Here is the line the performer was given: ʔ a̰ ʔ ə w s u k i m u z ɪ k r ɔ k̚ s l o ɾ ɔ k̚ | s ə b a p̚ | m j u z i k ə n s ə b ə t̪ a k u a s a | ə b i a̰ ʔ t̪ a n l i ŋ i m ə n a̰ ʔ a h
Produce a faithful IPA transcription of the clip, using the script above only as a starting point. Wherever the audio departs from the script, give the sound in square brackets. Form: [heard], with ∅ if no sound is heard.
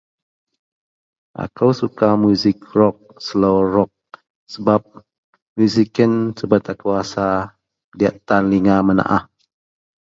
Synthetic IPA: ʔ a̰ [k] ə w s u k [a] m u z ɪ k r ɔ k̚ s l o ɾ ɔ k̚ | s ə b a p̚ | m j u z i k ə n s ə b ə t̪ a k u a s a | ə [d] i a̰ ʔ t̪ a n l i ŋ [a] m ə n a̰ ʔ a h

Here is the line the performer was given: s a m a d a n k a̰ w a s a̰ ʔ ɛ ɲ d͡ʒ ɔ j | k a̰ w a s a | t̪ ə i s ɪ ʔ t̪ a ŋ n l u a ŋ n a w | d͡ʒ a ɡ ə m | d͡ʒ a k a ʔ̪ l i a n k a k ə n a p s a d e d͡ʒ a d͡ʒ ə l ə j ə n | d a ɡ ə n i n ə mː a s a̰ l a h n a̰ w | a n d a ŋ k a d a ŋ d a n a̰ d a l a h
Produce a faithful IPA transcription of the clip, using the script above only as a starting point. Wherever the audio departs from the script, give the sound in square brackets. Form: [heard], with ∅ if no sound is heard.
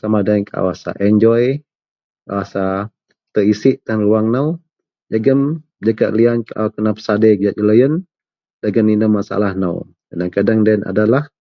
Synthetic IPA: s a m a d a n k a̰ w a s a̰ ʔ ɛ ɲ d͡ʒ ɔ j | k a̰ w a s a | t̪ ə i s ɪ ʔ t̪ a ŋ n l u a ŋ n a w | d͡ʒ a ɡ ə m | d͡ʒ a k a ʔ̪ l i a n k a k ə n a p s a d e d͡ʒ a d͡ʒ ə l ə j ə n | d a ɡ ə n i n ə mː a s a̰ l a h n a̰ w | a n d a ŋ k a d a ŋ d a n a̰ d a l a h

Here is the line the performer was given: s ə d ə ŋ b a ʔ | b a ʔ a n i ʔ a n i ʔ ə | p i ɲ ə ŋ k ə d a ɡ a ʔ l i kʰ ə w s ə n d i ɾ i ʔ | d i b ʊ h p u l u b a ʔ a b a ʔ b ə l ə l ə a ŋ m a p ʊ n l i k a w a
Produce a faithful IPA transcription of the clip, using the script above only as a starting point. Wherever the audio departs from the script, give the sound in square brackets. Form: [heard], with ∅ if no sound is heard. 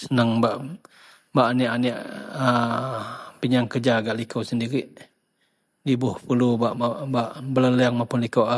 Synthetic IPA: s ə [n] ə ŋ b a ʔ | b a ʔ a n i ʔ a n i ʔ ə | p i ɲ [a] ŋ k ə [d͡ʒ] a ɡ a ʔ l i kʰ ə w s ə n d i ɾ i ʔ | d i b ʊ h p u l u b a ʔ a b a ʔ b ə l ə l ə a ŋ m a p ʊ n l i k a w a

